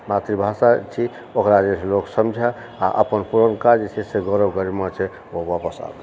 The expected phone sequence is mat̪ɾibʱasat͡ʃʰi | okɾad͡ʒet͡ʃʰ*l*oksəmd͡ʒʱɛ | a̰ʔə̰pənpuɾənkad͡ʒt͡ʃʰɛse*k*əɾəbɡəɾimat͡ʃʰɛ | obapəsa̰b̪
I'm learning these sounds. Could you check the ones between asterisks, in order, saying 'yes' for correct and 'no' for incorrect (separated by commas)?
yes, no